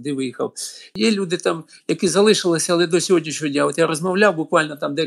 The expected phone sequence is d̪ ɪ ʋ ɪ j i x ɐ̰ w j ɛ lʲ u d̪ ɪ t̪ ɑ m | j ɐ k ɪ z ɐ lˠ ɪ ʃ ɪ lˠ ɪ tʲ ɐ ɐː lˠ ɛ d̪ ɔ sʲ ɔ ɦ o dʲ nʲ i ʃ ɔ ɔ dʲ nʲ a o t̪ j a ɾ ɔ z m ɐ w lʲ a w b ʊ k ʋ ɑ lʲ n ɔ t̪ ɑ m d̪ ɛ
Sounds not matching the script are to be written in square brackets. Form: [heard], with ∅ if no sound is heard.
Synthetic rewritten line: d̪ ɪ ʋ ɪ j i x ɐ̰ w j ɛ lʲ u d̪ ɪ t̪ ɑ m | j ɐ k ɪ z ɐ lˠ ɪ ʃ ɪ lˠ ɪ [sʲ] ɐ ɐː lˠ ɛ d̪ ɔ sʲ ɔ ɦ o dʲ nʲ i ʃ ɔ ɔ dʲ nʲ a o t̪ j a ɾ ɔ z m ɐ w lʲ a w b ʊ k ʋ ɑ lʲ n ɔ t̪ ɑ m d̪ ɛ